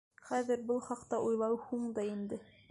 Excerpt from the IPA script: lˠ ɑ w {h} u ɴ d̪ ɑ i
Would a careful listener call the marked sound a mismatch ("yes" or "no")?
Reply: no